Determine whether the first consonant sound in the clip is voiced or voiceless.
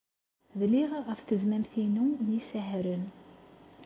voiced